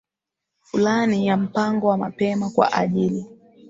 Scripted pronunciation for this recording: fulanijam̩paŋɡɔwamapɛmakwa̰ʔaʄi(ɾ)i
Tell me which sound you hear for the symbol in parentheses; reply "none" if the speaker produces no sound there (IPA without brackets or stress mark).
l